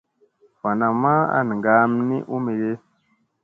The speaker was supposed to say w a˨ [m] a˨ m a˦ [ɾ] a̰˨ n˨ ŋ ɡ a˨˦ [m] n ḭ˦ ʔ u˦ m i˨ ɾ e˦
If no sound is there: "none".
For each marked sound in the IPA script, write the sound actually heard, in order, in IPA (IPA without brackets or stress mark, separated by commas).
n, none, m